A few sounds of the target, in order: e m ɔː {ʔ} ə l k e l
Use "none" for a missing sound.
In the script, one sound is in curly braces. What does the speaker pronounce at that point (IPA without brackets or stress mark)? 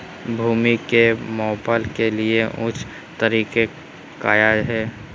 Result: p